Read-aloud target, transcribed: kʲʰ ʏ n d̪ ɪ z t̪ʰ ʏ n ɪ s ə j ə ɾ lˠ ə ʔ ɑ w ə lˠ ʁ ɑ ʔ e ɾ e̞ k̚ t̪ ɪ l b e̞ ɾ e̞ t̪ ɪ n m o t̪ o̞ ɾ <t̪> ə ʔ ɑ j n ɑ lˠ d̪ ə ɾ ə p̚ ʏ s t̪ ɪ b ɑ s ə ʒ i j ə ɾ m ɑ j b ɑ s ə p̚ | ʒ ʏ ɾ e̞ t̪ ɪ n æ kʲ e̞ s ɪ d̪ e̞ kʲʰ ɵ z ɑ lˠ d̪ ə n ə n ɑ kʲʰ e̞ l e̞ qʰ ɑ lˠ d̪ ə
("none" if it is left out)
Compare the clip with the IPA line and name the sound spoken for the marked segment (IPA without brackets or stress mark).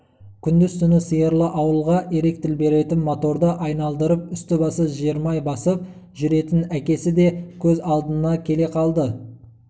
d̪